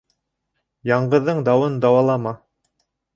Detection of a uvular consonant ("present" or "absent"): present